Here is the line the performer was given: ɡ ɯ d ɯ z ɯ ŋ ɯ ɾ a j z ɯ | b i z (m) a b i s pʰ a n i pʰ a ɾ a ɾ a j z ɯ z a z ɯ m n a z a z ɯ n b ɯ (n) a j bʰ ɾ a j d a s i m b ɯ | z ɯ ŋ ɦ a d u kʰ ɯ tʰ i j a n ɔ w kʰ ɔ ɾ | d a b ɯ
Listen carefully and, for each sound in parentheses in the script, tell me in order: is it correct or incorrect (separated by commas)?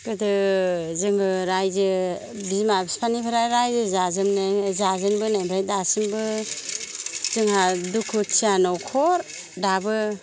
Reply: correct, correct